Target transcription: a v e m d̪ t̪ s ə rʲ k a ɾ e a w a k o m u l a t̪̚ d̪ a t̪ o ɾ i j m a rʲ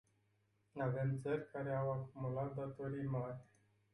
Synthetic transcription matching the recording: a v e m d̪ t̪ s ə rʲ k a ɾ e a w a k u m u l a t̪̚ d̪ a t̪ o ɾ i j m a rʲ